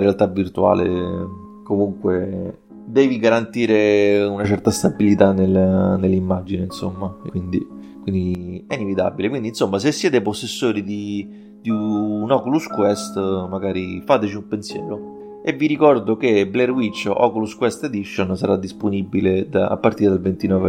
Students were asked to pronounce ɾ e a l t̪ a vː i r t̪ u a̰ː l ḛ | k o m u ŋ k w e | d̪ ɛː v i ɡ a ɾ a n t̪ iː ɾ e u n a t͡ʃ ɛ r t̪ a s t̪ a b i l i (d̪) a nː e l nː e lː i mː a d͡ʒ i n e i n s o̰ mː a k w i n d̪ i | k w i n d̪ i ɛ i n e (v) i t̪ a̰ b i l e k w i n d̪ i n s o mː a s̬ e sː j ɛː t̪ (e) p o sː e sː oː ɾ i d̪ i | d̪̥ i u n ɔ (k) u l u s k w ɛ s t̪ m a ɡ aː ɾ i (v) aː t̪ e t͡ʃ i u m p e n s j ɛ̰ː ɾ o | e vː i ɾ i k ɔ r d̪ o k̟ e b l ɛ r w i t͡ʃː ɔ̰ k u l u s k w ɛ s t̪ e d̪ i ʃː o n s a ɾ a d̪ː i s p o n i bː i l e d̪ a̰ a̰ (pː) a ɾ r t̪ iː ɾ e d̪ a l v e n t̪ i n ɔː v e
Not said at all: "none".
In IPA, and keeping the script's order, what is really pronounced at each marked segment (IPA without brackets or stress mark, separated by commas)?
t̪, v, e, k, f, pː